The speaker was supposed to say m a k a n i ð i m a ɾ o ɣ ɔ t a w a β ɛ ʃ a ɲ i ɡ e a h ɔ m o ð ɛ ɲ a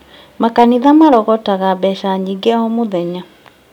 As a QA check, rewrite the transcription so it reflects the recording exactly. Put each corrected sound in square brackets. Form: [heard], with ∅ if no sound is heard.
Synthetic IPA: m a k a n i ð [a] m a ɾ [ɔ] ɣ ɔ t a [ɣ] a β ɛ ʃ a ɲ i ɡ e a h ɔ m o ð ɛ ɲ a